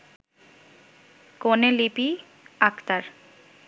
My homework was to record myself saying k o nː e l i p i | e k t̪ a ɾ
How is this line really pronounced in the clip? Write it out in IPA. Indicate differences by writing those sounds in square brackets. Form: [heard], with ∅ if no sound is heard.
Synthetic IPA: k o [n] e l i p i | [a] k t̪ a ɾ